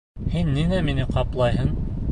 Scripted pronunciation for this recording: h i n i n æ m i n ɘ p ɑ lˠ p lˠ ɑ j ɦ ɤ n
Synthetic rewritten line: h i nː i n æ m i n ɘ q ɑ p lˠ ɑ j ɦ ɤ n

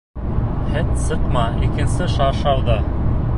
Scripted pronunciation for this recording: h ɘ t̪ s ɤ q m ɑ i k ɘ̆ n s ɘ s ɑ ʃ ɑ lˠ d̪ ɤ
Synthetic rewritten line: h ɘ t̪ s ɤ q m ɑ i k ɘ̆ n s ɘ ʃ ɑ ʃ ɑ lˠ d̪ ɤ

